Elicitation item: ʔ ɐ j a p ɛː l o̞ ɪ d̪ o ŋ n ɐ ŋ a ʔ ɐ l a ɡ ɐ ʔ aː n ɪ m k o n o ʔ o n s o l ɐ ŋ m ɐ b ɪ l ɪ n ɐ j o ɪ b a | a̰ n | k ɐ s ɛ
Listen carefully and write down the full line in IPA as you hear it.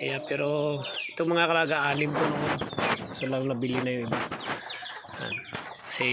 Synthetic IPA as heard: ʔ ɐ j a p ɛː ɾ o̞ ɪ t̪ o ŋ m ɐ ŋ a k ɐ l a ɡ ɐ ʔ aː n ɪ m k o n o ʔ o n s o l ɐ ŋ n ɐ b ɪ l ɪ n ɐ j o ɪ b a | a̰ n | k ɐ s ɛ